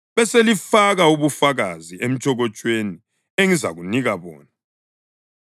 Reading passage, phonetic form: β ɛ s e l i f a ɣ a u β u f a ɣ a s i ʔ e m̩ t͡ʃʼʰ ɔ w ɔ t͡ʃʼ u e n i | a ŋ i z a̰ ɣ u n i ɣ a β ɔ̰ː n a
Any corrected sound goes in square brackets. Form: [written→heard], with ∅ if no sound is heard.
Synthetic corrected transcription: β ɛ s e l i f a ɣ a u β u f a ɣ a [s→z] i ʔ e m̩ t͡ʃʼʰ ɔ [w→ɣ] ɔ t͡ʃʼ [u→w] e n i | [a→e] ŋ i z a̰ ɣ u n i ɣ a β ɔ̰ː n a